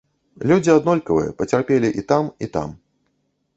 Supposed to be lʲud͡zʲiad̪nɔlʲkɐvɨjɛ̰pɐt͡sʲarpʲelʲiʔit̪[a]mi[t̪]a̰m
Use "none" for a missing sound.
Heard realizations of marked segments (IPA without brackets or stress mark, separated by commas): a, t̪